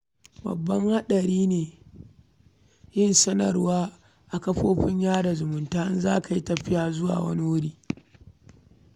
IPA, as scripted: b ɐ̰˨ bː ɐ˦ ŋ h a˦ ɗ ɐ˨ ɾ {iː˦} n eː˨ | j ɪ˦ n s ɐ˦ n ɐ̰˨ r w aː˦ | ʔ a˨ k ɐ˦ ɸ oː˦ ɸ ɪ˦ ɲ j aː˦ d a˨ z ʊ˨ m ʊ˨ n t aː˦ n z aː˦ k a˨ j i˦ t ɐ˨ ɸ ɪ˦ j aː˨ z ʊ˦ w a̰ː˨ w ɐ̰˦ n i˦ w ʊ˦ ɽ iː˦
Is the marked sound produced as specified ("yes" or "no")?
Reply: yes